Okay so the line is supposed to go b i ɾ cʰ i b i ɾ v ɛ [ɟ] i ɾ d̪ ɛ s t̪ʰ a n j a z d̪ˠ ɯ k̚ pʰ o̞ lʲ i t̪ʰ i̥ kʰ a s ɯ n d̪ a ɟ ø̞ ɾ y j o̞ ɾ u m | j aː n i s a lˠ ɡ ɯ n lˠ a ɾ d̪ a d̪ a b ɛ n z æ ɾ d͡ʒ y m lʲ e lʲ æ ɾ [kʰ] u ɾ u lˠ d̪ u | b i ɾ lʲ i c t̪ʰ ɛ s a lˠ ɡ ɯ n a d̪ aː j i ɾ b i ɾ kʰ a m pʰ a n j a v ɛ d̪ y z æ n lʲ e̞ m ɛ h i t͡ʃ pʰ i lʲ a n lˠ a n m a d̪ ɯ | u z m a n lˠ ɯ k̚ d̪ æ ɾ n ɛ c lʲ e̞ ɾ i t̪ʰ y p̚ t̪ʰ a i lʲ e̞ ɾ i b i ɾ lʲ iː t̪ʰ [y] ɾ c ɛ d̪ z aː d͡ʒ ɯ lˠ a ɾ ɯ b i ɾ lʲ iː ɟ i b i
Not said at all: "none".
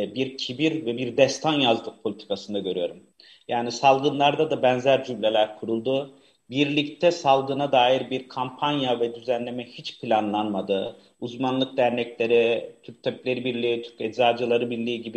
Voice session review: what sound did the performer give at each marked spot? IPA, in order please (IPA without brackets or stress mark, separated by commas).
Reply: b, kʰ, y